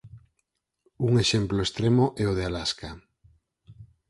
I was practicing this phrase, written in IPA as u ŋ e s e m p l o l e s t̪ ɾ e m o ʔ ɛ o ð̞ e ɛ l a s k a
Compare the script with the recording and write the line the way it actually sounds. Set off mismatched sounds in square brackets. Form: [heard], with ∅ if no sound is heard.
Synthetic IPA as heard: u ŋ e [ʃ] e m p l o [∅] e s t̪ ɾ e m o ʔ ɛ o ð̞ e [a] l a s k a